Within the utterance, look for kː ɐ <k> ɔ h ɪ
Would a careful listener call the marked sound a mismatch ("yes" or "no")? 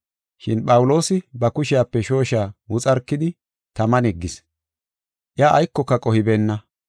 yes